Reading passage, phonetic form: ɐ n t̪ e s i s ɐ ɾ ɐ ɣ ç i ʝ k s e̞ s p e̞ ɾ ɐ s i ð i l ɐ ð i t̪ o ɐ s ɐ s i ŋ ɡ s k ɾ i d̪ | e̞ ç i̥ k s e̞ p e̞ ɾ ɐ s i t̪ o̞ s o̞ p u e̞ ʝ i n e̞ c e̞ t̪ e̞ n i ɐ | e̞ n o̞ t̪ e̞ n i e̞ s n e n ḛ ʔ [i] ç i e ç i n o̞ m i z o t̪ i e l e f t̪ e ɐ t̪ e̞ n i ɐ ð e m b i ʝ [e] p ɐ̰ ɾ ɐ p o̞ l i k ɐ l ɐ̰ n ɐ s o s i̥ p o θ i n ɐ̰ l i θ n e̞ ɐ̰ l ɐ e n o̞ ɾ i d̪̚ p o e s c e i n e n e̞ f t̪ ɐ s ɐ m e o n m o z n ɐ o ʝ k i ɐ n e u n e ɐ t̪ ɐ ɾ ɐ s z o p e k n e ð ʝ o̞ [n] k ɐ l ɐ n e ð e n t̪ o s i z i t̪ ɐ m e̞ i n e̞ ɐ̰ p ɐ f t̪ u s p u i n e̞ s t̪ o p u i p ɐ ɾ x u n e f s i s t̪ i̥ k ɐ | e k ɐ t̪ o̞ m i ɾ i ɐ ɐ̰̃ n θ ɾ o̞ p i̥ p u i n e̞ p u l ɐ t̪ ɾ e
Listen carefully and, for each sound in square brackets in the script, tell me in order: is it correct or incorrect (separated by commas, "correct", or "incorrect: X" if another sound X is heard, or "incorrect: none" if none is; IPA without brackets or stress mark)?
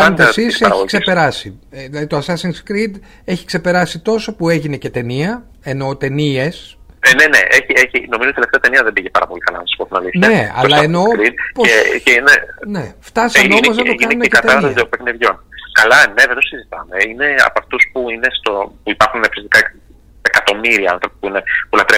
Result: incorrect: e, correct, correct